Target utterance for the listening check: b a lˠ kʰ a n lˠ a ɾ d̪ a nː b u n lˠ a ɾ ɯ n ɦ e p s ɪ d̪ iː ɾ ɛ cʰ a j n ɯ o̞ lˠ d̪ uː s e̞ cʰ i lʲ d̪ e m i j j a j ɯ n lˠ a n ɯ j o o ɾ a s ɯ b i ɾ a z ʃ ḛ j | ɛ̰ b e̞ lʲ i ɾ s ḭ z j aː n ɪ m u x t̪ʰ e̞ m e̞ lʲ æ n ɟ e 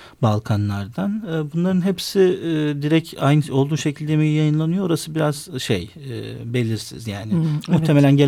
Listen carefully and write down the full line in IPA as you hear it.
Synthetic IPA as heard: b a lˠ kʰ a n lˠ a ɾ d̪ a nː b u n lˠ a ɾ ɯ n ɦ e p s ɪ d̪ i ɾ ɛ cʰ a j n ɯ o̞ lˠ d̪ uː ʃ e̞ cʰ i lʲ d̪ e m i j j a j ɯ n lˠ a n ɯ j o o ɾ a s ɯ b i ɾ a z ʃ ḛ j | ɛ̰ b e̞ lʲ i ɾ s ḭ z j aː n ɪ m u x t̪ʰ e̞ m e̞ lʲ æ n ɟ e